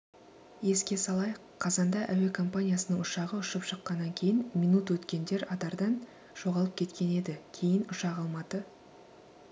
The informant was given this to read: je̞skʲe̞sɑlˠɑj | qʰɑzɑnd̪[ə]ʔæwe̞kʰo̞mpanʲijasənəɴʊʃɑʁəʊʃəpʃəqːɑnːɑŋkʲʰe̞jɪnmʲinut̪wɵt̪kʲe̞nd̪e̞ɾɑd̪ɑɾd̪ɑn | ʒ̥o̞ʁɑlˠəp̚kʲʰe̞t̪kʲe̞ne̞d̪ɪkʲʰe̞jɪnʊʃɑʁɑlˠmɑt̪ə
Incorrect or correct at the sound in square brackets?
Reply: incorrect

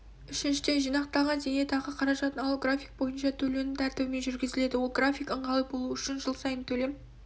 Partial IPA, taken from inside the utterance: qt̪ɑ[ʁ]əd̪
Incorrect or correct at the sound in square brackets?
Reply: correct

